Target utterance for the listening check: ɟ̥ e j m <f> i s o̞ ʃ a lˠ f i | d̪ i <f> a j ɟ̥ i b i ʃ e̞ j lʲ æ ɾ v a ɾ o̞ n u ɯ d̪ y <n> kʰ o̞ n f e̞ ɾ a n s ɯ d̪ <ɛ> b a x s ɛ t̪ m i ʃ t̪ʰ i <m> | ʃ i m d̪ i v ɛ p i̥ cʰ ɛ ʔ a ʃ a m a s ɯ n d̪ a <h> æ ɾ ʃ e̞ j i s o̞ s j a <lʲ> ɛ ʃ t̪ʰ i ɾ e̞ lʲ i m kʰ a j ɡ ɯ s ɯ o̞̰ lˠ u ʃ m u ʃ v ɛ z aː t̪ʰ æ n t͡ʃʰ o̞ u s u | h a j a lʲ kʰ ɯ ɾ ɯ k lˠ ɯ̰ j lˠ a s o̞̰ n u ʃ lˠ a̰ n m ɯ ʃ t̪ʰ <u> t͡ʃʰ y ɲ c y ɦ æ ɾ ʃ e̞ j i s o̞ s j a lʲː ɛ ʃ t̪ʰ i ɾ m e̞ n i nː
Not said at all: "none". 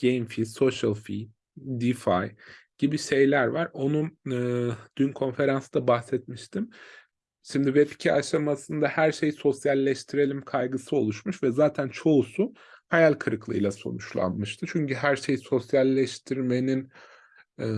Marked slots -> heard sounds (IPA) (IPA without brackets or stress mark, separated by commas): f, f, n, a, m, h, lʲː, ɯ